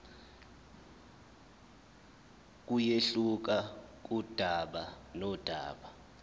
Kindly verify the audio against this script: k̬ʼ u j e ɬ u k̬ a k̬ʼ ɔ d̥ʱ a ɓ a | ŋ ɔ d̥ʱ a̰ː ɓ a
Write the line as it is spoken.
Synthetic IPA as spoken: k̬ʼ u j e ɬ u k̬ a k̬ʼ u d̥ʱ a ɓ a | n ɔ d̥ʱ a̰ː ɓ a